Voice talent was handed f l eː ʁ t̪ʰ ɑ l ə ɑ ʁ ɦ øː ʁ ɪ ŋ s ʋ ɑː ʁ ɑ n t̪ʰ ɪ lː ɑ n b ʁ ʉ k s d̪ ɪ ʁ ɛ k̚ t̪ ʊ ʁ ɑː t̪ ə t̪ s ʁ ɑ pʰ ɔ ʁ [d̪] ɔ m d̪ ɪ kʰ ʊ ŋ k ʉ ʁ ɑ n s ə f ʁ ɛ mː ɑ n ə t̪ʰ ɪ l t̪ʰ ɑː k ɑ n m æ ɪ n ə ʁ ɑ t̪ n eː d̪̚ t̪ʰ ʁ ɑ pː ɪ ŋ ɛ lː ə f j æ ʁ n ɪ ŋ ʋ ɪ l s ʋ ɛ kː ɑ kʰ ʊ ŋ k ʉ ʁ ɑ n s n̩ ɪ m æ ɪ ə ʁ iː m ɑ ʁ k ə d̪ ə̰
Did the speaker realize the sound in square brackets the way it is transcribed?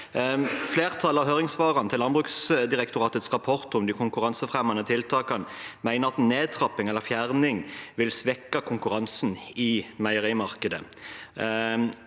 no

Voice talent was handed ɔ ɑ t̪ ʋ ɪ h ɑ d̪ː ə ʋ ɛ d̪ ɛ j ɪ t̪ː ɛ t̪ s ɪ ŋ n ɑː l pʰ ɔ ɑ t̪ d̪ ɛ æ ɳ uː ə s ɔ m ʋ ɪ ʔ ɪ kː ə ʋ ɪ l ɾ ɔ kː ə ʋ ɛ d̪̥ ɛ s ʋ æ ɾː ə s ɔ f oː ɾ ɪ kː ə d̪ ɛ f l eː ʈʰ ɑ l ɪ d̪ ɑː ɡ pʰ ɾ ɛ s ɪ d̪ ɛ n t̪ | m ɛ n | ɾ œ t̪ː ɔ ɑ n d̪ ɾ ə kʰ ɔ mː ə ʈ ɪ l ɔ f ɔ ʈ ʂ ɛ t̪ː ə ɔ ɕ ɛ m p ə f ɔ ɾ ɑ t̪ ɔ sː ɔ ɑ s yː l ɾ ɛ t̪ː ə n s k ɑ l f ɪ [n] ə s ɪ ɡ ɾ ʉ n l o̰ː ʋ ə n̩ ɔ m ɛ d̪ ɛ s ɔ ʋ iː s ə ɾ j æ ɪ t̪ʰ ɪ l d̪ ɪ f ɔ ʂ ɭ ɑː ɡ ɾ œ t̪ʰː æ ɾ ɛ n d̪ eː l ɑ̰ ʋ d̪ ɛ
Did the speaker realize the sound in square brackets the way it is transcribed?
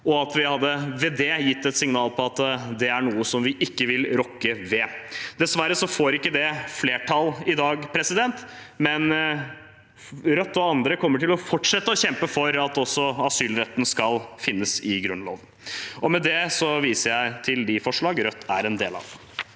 no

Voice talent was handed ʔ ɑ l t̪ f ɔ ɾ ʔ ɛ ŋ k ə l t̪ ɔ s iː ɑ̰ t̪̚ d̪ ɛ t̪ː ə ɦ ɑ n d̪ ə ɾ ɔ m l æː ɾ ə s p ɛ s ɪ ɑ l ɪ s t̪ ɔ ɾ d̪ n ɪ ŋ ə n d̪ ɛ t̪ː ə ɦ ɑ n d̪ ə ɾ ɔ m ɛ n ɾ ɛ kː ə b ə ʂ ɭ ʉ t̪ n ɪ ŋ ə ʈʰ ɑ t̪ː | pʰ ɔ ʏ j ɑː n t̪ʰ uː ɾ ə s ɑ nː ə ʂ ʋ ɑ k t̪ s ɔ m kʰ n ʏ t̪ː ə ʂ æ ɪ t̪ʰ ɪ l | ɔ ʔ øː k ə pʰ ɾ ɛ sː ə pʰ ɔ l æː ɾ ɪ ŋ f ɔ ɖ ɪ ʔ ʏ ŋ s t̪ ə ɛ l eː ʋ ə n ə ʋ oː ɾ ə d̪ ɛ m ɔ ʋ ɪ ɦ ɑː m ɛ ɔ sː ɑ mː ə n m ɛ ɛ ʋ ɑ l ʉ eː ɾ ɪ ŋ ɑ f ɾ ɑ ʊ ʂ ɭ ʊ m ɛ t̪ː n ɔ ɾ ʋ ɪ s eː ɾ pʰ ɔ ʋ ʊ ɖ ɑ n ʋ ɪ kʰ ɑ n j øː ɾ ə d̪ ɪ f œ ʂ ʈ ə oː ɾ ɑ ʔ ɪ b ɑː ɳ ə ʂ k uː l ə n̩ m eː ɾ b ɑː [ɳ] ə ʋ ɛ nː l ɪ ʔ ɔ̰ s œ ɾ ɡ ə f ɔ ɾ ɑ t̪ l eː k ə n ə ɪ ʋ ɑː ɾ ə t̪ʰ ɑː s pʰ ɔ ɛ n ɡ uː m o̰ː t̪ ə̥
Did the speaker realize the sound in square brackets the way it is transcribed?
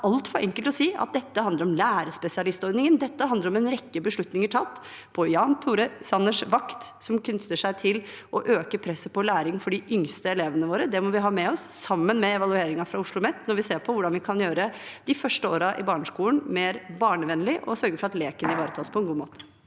yes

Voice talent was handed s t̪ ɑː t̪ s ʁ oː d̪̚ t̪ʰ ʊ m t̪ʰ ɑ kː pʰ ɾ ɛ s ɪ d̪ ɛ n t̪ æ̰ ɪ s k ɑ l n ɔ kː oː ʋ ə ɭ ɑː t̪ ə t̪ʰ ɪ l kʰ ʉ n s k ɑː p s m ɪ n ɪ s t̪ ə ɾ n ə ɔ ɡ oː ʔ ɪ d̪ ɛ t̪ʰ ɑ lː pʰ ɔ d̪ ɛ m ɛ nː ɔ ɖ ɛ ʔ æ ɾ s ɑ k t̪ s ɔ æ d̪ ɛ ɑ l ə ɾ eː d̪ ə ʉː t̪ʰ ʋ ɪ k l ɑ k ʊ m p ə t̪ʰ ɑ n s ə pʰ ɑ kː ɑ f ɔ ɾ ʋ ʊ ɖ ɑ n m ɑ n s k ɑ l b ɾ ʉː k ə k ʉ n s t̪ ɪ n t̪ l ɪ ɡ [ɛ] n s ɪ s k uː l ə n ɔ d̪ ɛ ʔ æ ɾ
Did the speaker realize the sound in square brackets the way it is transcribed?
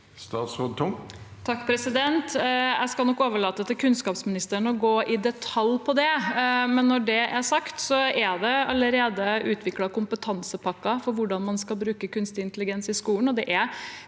yes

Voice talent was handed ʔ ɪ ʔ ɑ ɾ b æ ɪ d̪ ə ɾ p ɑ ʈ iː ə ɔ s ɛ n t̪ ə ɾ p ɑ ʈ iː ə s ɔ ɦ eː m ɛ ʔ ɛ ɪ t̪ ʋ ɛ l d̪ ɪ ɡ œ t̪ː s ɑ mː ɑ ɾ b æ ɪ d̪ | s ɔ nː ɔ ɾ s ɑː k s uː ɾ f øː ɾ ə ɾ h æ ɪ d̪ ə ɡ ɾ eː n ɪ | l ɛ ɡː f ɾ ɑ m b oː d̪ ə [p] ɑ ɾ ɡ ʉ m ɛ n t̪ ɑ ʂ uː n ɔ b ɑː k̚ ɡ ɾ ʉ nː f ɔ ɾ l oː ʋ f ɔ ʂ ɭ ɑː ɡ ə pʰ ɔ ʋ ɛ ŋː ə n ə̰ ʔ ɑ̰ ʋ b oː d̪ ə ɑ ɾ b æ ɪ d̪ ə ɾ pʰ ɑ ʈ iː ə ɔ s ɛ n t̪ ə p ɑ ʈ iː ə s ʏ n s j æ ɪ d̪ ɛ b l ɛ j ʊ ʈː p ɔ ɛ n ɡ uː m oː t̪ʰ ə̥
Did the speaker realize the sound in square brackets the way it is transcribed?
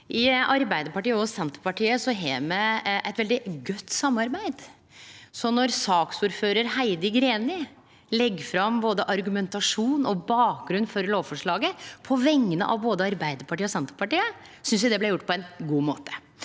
no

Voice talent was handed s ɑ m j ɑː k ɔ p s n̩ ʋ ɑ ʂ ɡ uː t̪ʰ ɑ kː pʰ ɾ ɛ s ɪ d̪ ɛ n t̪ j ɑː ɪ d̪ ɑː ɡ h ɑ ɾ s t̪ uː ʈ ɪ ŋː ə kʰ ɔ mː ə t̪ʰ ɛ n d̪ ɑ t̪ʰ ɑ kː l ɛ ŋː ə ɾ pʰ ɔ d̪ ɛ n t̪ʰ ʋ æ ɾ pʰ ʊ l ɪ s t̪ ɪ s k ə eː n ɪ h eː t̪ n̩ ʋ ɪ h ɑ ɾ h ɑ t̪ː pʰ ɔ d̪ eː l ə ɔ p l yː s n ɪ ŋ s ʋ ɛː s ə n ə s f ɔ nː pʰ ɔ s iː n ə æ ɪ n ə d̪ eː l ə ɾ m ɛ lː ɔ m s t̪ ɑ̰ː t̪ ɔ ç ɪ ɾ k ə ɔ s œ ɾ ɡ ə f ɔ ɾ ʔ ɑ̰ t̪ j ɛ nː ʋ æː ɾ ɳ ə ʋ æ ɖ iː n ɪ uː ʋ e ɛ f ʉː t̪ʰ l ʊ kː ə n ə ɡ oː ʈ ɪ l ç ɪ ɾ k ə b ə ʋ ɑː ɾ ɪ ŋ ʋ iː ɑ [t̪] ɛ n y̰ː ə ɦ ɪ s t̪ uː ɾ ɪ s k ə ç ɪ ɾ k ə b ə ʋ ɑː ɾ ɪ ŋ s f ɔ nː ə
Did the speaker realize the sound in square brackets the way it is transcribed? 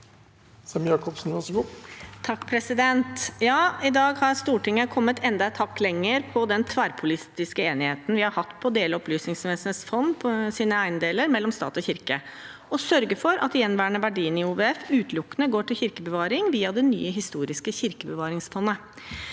no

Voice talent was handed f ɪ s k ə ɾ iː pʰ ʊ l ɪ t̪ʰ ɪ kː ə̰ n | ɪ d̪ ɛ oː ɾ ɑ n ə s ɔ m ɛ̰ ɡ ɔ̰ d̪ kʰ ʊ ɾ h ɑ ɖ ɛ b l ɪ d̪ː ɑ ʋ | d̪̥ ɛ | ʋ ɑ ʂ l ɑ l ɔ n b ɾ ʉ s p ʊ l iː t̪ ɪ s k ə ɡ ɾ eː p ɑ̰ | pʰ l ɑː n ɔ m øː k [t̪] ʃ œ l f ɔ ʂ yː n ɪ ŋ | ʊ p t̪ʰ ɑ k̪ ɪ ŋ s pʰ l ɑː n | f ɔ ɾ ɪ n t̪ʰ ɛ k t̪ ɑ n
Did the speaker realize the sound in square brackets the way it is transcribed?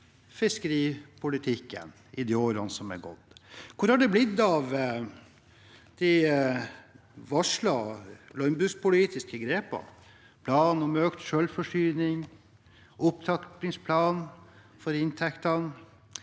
yes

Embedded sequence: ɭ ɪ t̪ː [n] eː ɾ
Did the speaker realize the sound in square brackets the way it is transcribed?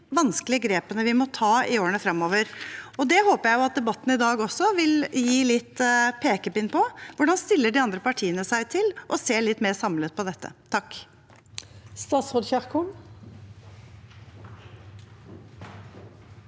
no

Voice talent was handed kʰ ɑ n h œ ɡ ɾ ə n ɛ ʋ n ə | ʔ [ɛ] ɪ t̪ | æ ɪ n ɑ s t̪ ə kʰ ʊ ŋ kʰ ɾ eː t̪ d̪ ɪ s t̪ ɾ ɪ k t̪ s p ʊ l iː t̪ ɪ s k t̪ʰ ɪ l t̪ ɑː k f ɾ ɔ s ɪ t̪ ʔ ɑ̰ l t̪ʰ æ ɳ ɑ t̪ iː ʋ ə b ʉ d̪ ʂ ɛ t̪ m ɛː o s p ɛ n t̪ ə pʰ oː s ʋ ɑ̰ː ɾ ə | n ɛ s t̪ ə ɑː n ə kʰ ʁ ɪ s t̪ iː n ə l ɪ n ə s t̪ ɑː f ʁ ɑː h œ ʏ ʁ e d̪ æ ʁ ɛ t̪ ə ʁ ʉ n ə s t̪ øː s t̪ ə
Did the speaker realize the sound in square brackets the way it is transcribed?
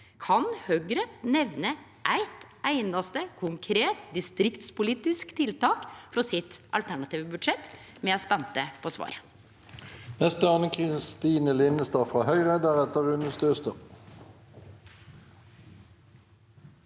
no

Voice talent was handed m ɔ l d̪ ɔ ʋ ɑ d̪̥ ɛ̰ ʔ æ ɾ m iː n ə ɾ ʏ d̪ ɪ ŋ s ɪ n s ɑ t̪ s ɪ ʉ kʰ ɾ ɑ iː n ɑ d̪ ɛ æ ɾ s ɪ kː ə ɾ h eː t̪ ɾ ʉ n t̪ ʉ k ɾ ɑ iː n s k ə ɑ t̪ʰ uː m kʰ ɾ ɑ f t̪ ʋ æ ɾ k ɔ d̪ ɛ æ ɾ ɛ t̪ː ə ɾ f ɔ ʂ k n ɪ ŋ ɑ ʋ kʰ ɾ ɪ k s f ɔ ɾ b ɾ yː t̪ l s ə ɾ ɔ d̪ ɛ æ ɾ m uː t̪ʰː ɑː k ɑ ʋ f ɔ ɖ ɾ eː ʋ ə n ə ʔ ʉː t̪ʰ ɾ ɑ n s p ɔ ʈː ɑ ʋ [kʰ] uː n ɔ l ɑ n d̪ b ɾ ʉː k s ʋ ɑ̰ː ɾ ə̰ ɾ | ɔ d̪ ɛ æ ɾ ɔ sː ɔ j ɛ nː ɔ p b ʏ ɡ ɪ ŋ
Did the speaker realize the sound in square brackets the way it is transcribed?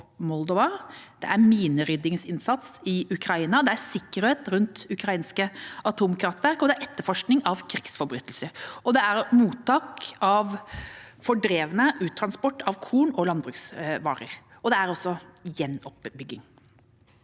yes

